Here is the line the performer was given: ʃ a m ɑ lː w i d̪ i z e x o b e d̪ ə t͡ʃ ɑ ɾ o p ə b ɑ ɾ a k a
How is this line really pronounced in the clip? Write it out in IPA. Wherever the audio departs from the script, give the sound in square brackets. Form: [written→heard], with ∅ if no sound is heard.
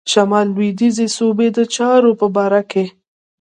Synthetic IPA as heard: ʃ a m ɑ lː w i d̪ i z e [x→s] o b e d̪ ə t͡ʃ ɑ ɾ o p ə b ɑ ɾ a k [a→e]